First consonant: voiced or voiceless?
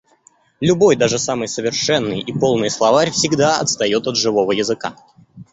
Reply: voiced